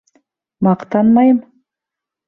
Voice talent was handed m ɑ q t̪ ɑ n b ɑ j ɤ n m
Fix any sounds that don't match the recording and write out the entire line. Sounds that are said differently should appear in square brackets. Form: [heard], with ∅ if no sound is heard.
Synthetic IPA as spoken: m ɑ q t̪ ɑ n [m] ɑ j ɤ [∅] m